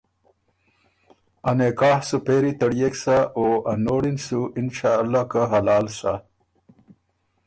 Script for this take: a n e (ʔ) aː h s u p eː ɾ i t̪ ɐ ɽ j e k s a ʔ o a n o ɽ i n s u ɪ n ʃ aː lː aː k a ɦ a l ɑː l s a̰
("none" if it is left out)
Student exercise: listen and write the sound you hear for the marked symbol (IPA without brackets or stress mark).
k